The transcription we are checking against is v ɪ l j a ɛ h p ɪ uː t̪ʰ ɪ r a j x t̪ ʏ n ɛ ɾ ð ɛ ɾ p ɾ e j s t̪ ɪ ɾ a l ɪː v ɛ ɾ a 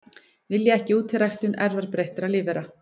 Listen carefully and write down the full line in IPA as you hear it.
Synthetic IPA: v ɪ l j a ɛ h c ɪ uː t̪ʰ ɪ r a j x t̪ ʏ n ɛ ɾ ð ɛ ɾ p ɾ e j h t̪ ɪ ɾ a l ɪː v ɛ ɾ a